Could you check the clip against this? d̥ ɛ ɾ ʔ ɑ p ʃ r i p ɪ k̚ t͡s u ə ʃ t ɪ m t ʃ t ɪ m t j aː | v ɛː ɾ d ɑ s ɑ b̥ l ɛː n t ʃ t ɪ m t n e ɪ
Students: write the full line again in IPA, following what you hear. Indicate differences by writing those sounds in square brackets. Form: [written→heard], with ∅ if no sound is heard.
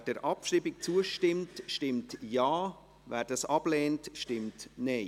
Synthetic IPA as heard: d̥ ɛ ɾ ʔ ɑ p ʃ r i [p→b] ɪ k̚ t͡s u ə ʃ t ɪ m t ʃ t ɪ m t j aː | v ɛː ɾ d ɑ s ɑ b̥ l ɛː n t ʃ t ɪ m t n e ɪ